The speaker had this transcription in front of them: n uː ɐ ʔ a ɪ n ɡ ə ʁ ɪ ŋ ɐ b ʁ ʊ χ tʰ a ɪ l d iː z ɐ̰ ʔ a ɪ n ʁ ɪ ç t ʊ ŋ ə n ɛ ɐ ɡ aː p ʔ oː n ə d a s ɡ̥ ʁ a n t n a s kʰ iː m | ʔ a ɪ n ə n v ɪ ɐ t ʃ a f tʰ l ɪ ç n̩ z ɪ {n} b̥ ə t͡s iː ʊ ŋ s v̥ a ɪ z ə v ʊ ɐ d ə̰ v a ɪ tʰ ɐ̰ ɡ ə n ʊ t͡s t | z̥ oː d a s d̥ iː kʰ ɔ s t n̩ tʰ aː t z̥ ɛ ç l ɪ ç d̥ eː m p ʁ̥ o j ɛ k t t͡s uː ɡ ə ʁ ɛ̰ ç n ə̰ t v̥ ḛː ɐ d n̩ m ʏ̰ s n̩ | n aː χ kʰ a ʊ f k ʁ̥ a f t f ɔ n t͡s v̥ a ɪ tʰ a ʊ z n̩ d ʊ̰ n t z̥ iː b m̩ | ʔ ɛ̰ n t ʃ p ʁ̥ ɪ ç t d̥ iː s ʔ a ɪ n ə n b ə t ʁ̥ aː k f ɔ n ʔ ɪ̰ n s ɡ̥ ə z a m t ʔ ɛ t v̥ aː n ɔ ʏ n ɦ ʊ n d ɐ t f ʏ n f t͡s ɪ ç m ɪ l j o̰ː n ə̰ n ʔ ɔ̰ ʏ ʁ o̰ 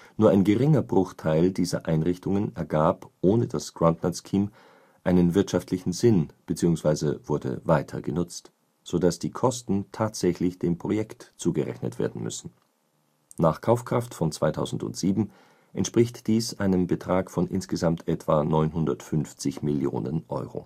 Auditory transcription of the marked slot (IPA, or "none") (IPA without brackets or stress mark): n